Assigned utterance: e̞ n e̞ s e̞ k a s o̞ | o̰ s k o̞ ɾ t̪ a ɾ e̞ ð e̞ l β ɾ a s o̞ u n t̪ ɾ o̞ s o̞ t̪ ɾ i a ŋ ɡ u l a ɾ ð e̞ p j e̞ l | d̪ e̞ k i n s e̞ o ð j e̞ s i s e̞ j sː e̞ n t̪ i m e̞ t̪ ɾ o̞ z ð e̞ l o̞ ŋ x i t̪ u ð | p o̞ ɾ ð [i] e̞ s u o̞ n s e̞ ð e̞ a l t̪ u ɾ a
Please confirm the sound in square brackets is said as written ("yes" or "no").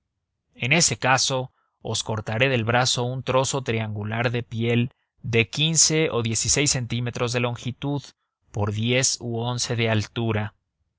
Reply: no